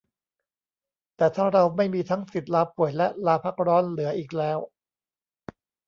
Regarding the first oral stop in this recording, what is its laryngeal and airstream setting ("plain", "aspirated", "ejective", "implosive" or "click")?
plain